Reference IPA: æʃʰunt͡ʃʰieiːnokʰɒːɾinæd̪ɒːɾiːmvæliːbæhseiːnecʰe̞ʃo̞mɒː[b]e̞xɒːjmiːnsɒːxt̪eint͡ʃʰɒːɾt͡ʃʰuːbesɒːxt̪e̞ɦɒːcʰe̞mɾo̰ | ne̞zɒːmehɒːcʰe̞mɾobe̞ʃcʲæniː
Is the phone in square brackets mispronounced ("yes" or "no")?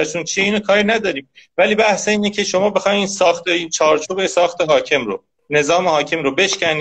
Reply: no